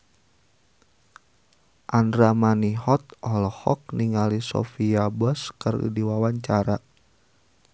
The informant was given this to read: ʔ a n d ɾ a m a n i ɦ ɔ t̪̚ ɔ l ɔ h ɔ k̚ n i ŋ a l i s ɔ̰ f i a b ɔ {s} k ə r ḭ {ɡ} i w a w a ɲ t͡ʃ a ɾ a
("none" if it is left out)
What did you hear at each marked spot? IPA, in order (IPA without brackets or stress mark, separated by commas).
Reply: s, d